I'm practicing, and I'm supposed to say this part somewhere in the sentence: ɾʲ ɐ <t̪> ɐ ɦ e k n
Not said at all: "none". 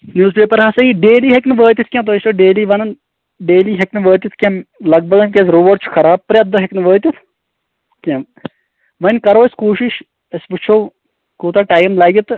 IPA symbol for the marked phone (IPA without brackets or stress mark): d̪